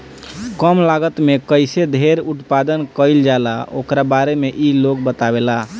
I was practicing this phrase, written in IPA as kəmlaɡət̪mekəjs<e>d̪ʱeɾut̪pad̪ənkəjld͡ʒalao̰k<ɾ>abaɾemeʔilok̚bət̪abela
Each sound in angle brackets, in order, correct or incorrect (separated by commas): correct, correct